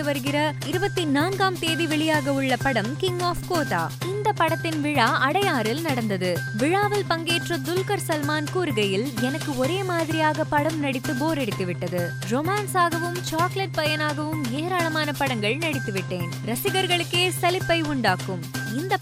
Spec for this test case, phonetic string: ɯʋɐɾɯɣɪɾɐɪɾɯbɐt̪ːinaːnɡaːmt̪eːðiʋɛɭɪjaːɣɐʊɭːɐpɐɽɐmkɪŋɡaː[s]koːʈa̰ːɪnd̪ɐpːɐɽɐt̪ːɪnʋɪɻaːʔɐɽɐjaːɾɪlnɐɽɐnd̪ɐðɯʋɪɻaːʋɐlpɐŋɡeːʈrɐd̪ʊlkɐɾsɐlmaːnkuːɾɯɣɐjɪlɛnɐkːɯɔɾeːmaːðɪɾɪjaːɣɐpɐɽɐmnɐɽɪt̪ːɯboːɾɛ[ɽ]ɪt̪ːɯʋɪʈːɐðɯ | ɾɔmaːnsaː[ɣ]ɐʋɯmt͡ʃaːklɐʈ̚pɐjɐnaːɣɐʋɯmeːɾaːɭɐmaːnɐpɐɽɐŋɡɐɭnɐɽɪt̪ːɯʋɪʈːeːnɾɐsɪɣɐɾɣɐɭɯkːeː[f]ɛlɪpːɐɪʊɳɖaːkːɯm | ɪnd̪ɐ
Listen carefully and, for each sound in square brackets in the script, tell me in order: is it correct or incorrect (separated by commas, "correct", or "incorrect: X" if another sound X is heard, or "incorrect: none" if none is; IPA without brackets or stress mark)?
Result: incorrect: f, correct, correct, incorrect: s